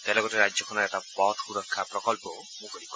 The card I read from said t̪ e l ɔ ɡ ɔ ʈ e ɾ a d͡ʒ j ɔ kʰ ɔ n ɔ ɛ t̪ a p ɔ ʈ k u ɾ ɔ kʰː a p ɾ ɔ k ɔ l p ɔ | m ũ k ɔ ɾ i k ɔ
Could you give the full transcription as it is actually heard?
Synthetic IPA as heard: t̪ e l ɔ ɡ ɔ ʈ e ɾ a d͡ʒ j ɔ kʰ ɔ n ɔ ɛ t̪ a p ɔ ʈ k u ɾ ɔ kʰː a p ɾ ɔ k ɔ l p ɔ | m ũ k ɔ ɾ i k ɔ